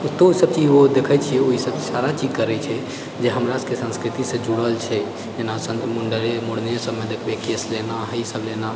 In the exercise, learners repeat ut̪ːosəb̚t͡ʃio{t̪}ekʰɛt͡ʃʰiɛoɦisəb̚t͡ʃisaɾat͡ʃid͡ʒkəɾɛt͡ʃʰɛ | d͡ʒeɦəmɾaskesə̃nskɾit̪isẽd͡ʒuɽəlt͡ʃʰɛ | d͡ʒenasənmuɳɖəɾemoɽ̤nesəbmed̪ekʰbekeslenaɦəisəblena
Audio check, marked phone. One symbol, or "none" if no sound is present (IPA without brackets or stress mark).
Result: d̪